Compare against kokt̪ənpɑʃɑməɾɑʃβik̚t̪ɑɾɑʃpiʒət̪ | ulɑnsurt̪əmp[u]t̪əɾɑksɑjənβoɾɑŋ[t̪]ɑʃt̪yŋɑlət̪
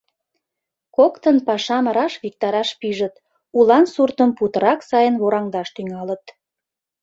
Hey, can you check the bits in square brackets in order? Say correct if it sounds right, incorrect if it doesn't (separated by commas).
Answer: correct, incorrect